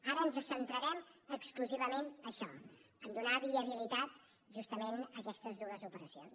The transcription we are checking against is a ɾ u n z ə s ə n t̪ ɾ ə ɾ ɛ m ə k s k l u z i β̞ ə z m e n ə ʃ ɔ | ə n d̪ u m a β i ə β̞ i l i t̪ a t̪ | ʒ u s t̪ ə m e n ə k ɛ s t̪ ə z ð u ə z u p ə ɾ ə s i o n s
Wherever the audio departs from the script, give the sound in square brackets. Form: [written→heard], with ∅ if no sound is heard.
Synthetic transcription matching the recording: a ɾ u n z ə s ə n t̪ ɾ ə ɾ ɛ m ə k s k l u z i β̞ ə [z→∅] m e n ə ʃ ɔ | ə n d̪ u [m→n] a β i ə β̞ i l i t̪ a t̪ | ʒ u s t̪ ə m e n ə k ɛ s t̪ ə z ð u ə z u p ə ɾ ə s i o n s